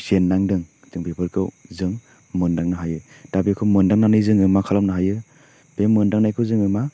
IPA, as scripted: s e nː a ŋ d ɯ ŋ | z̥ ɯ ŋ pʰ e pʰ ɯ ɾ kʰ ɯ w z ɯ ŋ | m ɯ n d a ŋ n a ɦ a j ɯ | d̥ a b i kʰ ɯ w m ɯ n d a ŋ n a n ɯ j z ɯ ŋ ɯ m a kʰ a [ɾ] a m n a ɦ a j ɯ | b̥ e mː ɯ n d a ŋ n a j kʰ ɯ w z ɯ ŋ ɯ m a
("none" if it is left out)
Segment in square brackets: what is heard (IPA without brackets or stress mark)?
l